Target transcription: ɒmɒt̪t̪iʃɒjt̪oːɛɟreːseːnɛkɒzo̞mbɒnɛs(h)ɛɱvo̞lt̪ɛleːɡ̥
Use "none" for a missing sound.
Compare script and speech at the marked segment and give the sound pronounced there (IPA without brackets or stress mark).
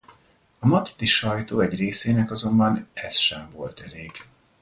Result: ʃ